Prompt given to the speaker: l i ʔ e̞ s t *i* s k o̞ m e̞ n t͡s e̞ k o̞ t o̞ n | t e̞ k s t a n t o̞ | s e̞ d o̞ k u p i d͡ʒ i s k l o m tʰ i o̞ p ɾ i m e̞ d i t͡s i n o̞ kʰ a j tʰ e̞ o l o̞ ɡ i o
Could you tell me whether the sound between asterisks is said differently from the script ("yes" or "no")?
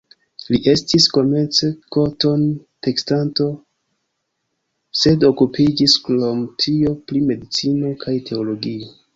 no